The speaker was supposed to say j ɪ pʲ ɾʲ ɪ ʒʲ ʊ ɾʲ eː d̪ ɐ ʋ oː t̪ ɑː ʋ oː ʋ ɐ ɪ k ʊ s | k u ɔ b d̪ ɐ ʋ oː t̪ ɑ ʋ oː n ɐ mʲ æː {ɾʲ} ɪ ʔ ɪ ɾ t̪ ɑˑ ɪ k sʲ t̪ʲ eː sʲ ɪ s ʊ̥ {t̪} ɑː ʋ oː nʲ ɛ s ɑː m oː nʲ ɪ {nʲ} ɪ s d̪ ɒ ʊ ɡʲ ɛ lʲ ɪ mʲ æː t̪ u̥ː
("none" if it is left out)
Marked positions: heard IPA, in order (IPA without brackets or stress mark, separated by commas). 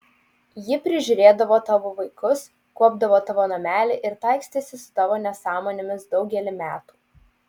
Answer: lʲ, t̪, mʲ